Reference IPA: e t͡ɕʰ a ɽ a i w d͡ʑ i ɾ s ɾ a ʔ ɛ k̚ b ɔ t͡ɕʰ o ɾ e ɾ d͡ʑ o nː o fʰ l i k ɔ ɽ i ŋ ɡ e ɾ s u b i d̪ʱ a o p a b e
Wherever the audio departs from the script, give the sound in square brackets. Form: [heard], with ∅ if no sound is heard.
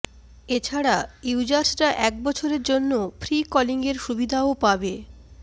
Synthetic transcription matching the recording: e t͡ɕʰ a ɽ a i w d͡ʑ [a] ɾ s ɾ a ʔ ɛ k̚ b ɔ t͡ɕʰ o ɾ e ɾ d͡ʑ o nː o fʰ [ɾ] i k ɔ [l] i ŋ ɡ e ɾ [ʃ] u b i d̪ʱ a o p a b e